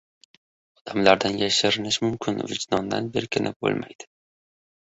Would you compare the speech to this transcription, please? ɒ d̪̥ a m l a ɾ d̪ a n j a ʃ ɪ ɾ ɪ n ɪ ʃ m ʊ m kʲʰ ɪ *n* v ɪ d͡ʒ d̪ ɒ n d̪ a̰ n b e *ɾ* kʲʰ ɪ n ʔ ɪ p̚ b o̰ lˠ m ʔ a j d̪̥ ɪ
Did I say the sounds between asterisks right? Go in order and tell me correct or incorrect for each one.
correct, correct

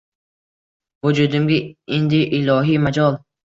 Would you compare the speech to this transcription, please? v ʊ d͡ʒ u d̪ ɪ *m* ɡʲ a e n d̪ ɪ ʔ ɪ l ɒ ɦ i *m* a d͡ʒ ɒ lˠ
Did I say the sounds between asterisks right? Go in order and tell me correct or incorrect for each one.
correct, correct

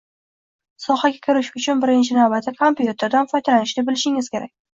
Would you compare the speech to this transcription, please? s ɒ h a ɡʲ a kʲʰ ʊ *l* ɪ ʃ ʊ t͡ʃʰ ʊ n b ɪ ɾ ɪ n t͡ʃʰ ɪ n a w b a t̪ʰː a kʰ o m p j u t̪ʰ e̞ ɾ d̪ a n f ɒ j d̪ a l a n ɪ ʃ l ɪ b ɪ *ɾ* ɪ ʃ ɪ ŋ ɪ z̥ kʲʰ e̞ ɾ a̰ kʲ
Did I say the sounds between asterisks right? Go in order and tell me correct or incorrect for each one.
incorrect: ɾ, incorrect: l

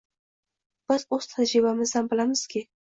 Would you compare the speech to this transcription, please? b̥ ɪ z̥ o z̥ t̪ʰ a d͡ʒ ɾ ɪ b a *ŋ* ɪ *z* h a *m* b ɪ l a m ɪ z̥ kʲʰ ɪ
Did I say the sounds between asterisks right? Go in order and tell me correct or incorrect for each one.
incorrect: m, correct, correct

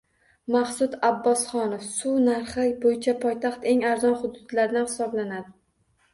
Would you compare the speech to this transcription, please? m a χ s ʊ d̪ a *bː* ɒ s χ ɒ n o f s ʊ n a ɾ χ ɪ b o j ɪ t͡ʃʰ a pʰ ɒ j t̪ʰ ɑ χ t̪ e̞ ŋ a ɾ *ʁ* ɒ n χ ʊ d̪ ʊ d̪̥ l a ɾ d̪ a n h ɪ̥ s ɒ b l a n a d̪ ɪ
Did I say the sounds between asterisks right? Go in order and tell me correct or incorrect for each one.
correct, incorrect: z

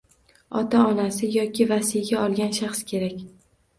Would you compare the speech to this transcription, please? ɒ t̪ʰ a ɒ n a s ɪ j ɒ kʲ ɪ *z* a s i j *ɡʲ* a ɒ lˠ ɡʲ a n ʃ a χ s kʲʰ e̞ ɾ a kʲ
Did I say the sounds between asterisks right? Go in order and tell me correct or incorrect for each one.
incorrect: v, correct

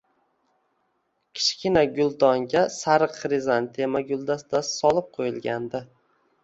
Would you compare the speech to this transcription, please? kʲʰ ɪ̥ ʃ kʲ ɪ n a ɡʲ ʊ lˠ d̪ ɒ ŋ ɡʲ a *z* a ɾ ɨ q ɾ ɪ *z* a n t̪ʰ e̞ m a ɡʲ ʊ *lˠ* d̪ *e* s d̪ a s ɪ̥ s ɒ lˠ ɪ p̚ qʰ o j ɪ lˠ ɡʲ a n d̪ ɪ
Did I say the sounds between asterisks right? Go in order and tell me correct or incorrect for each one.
incorrect: s, correct, correct, incorrect: a

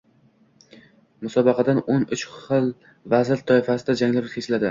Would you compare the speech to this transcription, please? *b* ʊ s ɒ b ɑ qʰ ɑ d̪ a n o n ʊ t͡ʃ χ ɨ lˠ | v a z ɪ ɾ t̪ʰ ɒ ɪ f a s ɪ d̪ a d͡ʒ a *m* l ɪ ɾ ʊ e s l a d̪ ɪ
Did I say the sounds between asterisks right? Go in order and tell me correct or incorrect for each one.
incorrect: m, incorrect: ŋ

